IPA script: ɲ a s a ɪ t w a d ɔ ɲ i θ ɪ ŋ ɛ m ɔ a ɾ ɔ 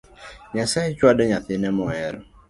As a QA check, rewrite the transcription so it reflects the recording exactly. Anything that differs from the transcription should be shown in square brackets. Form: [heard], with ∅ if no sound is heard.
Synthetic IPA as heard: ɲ a s a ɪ [t͡ʃ] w a d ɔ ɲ [a] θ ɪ [n] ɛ m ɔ [ɛ] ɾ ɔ

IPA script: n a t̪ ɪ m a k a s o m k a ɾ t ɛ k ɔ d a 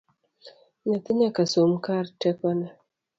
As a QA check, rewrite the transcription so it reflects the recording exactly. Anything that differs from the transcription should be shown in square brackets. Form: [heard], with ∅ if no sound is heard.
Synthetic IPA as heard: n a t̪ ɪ [ɲ] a k a s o m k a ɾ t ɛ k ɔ [n] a

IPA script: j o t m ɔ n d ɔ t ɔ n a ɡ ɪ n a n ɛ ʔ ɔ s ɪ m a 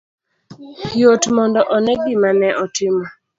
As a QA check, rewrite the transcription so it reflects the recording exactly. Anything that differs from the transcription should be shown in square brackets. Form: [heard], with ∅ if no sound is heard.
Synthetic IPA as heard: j o t m ɔ n d ɔ [ʔ] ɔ n [ɛ] ɡ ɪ [m] a n ɛ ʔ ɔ [t] ɪ m a

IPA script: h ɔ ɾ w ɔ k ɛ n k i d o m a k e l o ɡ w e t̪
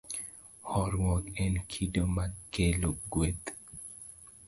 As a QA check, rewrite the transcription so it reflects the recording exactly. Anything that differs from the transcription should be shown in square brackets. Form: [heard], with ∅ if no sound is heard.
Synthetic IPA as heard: h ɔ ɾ w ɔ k ɛ n [kʰ] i d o m a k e l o ɡ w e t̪

